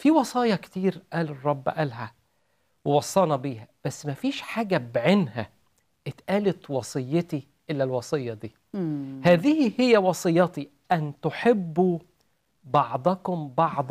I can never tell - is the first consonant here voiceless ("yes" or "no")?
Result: yes